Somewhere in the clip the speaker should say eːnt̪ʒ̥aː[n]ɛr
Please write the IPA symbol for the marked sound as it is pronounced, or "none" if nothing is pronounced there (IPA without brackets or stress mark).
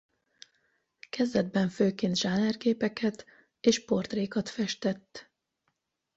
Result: n